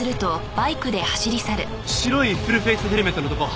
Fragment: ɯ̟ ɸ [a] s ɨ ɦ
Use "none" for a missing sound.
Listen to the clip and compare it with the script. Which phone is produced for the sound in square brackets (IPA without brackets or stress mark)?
e